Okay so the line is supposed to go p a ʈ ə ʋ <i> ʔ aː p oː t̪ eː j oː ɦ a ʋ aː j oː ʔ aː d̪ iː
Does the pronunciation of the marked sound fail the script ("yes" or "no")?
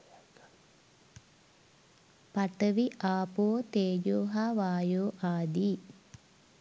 no